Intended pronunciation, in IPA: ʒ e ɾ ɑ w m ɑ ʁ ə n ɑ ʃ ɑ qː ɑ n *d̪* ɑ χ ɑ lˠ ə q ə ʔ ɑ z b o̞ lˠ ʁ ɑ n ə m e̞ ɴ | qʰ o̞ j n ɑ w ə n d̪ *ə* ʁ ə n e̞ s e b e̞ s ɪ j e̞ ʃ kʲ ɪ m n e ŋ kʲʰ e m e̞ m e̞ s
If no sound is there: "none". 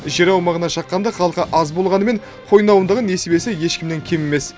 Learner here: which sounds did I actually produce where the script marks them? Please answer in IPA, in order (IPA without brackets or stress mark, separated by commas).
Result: d̪, ə